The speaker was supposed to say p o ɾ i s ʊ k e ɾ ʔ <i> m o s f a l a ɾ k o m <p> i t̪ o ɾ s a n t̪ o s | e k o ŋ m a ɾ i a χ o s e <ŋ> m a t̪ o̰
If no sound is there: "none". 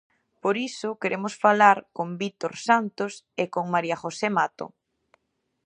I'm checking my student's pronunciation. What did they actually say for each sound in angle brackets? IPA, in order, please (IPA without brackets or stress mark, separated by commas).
e, b, none